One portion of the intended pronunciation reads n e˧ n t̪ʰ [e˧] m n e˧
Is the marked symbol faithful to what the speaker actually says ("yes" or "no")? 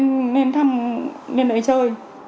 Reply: no